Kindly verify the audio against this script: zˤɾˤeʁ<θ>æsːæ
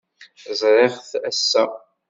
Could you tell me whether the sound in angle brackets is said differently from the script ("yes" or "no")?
no